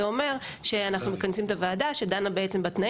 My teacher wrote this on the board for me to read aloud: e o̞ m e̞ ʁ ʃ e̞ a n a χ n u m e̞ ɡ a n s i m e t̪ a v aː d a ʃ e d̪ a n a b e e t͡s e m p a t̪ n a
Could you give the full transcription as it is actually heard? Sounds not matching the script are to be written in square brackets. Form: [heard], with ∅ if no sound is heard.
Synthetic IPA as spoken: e o̞ m e̞ ʁ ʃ e̞ a n a χ n u m e̞ [k] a n s i m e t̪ a v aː d a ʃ e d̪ a n a b e e t͡s e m [b] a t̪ n a